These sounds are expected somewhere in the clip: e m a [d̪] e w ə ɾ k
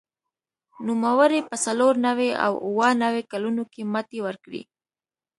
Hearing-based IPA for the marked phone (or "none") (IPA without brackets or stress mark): t̪